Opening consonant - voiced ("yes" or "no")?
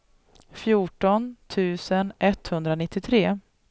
no